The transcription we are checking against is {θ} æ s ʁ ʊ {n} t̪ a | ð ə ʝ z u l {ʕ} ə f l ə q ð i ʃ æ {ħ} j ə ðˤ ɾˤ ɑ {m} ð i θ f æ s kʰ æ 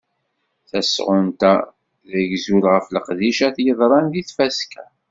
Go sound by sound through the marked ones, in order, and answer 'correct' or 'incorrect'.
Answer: correct, correct, incorrect, incorrect, incorrect

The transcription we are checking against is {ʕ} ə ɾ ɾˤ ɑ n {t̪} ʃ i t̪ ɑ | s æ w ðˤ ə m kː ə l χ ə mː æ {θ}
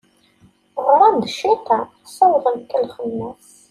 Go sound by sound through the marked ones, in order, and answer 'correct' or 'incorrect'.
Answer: incorrect, incorrect, incorrect

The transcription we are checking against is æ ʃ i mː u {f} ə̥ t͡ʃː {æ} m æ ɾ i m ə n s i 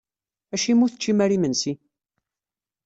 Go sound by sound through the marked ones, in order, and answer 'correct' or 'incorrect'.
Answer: incorrect, incorrect

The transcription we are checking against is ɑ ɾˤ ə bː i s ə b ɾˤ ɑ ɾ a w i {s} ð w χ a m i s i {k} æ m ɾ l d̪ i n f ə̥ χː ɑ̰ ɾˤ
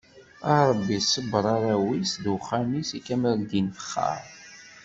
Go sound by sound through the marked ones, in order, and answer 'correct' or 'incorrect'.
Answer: correct, correct

